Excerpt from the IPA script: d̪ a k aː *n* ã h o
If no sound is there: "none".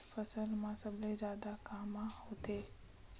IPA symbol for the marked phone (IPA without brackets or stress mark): m